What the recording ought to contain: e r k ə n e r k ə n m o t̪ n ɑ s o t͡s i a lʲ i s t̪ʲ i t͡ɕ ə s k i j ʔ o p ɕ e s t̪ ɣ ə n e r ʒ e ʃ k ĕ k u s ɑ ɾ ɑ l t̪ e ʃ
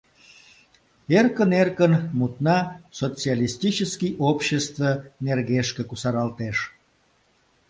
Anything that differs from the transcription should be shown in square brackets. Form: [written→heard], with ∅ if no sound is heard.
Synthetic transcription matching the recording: e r k ə n e r k ə n m [o→u] t̪ n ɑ s o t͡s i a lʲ i s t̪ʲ i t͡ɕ ə s k i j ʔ o p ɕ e s t̪ [ɣ→v] ə n e r [ʒ→ɣ] e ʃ k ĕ k u s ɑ ɾ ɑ l t̪ e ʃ